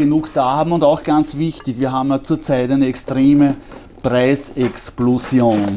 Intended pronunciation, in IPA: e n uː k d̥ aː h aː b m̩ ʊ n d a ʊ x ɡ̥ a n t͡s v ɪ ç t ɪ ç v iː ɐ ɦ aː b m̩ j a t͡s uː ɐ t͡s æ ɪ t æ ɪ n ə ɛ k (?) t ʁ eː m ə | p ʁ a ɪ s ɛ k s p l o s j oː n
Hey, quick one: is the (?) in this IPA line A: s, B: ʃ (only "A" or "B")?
A